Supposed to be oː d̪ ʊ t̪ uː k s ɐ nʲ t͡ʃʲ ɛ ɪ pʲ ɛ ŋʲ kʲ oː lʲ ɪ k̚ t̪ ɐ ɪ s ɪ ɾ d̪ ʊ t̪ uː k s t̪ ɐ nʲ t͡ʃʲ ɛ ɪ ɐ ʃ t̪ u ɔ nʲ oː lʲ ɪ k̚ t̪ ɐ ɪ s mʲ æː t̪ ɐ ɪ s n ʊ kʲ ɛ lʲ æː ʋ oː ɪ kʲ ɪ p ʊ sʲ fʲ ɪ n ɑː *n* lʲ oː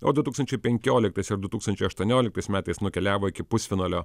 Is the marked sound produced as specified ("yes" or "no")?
no